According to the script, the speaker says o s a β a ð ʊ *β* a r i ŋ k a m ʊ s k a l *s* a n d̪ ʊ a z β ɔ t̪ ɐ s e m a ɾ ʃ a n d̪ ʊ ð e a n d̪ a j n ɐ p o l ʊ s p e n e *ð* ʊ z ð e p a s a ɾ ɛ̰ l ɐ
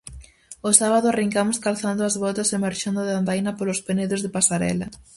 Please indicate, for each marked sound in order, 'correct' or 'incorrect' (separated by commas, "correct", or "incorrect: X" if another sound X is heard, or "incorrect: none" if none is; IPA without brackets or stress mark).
incorrect: none, incorrect: θ, correct